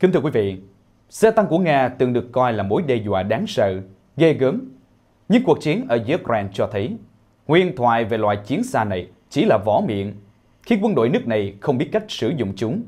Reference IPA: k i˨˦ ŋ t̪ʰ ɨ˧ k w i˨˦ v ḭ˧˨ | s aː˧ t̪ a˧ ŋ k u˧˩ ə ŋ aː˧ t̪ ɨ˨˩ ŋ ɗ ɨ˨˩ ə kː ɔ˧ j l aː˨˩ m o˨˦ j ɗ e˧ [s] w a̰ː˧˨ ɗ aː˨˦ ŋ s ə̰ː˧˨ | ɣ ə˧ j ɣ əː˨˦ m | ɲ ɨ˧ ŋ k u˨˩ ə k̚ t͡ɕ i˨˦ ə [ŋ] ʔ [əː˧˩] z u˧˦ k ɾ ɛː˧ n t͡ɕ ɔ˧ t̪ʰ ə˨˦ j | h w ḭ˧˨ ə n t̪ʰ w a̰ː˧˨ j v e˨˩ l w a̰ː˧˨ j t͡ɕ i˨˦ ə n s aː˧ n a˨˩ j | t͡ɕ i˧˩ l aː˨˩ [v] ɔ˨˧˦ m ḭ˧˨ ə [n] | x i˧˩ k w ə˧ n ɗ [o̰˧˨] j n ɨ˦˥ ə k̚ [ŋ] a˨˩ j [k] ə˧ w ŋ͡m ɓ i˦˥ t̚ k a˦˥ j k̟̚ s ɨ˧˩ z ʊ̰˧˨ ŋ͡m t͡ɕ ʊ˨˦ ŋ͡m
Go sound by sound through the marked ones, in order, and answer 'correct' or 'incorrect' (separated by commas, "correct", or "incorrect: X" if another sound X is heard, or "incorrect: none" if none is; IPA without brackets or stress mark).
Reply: incorrect: z, incorrect: n, correct, correct, correct, correct, incorrect: n, incorrect: x